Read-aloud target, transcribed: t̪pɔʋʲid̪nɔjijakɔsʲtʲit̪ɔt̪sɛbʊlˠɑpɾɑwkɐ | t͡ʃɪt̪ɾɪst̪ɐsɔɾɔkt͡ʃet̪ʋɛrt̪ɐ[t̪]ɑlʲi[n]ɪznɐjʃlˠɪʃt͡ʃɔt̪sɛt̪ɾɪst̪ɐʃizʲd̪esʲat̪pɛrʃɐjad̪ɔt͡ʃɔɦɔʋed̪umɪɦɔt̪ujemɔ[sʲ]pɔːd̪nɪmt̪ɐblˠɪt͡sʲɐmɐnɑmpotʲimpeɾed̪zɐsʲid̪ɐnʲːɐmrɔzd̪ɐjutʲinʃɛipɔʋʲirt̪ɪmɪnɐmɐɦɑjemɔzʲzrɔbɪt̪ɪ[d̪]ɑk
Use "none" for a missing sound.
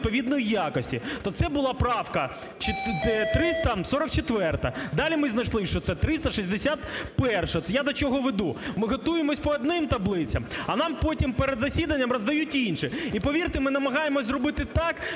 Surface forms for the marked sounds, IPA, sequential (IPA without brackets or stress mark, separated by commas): d̪, m, sʲ, t̪